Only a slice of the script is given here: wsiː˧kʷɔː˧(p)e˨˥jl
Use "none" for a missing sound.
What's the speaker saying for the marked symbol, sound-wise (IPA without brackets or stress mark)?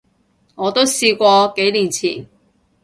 k